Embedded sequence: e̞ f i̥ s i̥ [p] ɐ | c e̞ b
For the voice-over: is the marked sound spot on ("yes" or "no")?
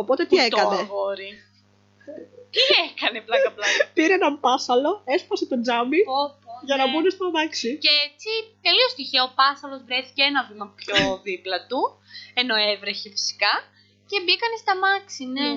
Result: no